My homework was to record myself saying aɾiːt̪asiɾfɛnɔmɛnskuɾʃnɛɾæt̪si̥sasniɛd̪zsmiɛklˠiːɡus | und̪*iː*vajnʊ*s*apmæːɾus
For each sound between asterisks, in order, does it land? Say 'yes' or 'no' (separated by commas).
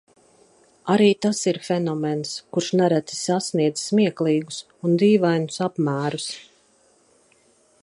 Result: yes, yes